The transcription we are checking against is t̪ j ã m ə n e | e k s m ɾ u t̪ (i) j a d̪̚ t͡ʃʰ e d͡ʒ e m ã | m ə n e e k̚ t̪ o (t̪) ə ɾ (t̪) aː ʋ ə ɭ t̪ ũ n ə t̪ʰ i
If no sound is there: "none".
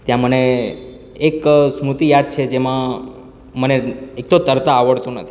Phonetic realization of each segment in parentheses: i, t̪, t̪

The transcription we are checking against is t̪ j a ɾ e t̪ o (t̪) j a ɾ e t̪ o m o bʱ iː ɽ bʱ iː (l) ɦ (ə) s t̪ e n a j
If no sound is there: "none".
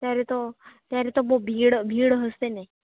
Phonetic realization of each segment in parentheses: t̪, ɽ, ə

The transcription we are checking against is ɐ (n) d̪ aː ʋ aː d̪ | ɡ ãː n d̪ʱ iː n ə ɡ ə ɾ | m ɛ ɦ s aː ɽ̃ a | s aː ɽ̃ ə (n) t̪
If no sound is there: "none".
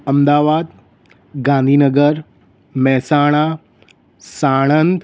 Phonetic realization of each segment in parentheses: m, n

